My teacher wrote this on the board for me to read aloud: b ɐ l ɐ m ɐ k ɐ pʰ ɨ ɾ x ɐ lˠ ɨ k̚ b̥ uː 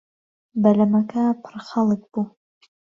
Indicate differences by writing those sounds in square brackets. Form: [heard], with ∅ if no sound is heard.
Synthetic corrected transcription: b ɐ l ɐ m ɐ k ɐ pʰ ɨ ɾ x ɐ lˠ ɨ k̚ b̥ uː